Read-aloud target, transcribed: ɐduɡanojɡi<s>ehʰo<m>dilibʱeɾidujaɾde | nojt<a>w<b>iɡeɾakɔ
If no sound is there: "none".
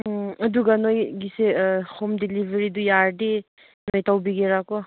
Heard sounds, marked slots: s, m, a, b

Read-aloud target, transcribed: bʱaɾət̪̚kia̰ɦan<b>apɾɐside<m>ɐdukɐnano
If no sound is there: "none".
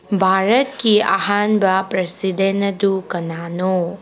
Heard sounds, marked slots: b, n

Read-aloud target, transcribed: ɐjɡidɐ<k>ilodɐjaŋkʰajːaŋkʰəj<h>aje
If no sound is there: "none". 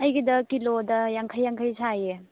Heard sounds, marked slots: k, s

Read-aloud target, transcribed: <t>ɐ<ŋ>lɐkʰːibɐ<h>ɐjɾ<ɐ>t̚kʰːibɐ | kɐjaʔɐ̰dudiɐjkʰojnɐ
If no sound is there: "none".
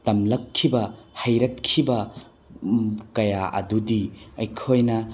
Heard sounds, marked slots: t, m, h, ɐ

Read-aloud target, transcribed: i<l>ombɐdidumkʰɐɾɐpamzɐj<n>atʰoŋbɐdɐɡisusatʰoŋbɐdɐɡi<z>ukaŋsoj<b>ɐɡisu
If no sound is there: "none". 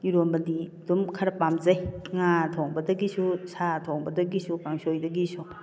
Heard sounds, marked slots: ɾ, ŋ, s, d

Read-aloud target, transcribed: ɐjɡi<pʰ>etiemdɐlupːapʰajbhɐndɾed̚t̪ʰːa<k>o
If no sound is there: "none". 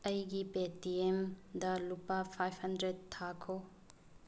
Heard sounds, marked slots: p, kʰ

